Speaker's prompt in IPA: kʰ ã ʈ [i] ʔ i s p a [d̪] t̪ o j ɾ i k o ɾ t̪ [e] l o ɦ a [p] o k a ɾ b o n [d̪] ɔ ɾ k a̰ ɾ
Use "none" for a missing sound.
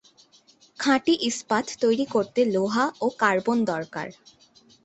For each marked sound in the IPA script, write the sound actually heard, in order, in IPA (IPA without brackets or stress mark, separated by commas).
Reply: i, t̪, e, none, d̪